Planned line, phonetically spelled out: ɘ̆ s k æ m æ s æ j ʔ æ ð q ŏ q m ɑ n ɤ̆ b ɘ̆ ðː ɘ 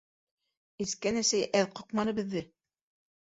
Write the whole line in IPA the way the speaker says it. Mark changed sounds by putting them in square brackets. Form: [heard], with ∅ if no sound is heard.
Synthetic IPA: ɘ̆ s k æ [n] æ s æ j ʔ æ ð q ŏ q m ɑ n ɤ̆ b ɘ̆ ðː ɘ